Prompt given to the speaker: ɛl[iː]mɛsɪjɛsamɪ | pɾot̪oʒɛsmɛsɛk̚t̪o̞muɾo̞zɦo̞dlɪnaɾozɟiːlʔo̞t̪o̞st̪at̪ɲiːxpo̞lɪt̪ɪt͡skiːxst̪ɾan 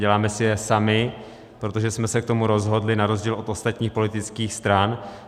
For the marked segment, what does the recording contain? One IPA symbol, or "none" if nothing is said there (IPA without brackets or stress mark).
aː